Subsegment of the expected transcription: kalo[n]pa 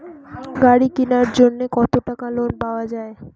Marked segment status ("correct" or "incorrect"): correct